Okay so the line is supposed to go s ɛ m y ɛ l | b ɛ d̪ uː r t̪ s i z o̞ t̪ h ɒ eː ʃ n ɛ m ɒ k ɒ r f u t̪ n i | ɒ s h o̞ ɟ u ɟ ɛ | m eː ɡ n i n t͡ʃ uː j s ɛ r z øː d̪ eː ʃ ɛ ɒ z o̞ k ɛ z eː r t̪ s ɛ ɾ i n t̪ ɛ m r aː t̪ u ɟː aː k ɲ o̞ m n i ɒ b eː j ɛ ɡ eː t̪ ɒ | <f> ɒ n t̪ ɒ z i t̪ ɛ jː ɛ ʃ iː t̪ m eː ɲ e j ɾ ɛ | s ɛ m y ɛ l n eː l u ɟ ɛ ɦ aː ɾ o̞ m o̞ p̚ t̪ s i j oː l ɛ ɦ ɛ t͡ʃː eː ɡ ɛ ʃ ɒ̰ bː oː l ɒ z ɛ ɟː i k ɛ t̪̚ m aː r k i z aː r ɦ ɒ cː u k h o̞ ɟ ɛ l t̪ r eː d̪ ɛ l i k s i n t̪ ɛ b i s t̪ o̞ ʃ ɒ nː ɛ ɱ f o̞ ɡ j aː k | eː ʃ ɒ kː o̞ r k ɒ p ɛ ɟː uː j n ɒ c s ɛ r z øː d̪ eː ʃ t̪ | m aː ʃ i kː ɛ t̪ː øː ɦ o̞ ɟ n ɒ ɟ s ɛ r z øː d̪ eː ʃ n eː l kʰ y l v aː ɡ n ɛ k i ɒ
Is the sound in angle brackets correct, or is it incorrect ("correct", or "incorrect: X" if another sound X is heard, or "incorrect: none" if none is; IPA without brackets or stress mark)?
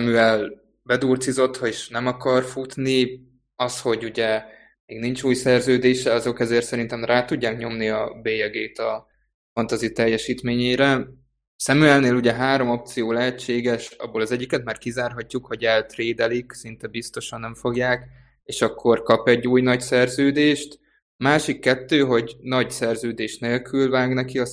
correct